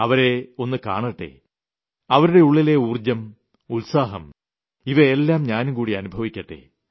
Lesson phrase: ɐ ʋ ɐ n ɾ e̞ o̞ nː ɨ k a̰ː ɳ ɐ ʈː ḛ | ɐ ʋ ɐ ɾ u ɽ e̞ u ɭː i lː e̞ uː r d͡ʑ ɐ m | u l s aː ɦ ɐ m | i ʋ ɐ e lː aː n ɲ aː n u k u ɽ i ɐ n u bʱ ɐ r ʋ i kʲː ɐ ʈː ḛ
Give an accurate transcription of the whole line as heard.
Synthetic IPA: ɐ ʋ ɐ ɾ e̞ o̞ nː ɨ k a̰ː ɳ ɐ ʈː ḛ | ɐ ʋ ɐ ɾ u ɽ e̞ u ɭː i l e̞ uː r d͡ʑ ɐ m | u l s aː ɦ ɐ m | i ʋ ɐ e lː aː m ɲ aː n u k uː ɽ i ɐ n u bʱ ɐ ʋ i kʲː ɐ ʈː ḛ